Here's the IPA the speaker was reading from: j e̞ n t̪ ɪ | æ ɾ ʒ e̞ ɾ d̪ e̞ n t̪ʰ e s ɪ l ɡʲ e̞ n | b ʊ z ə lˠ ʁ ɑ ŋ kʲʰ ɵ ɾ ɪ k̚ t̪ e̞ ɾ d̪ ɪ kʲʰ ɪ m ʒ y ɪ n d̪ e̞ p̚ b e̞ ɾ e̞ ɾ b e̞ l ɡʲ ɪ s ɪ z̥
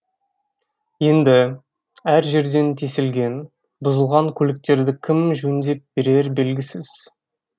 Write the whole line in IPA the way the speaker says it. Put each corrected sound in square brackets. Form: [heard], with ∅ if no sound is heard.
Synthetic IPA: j e̞ n [d̪] ɪ | æ ɾ ʒ e̞ ɾ d̪ e̞ n t̪ʰ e s ɪ l ɡʲ e̞ n | b ʊ z ə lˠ ʁ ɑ ŋ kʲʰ ɵ [l] ɪ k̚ t̪ e̞ ɾ d̪ ɪ kʲʰ ɪ m ʒ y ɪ n d̪ e̞ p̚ b e̞ ɾ e̞ ɾ b e̞ l ɡʲ ɪ s ɪ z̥